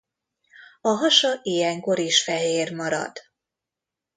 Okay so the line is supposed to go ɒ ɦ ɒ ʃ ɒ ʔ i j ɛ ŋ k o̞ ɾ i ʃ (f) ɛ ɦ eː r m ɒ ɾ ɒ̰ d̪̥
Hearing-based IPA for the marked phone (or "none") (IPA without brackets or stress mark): f